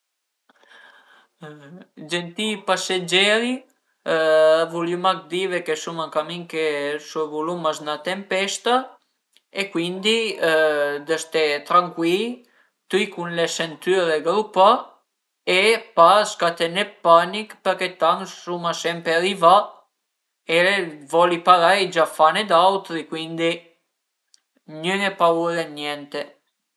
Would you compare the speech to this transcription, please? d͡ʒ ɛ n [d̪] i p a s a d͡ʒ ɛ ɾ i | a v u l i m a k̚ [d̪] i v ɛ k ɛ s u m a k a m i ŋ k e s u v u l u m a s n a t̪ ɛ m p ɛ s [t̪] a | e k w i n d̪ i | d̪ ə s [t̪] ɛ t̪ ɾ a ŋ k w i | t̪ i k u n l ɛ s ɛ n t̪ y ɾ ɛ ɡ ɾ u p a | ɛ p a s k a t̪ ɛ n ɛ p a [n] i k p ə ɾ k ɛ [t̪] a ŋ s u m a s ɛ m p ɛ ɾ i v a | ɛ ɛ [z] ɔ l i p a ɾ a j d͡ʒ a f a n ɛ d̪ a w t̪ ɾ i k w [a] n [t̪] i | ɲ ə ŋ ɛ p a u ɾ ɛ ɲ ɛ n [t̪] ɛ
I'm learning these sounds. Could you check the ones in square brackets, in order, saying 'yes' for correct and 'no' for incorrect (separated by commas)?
no, yes, yes, yes, yes, yes, no, no, no, yes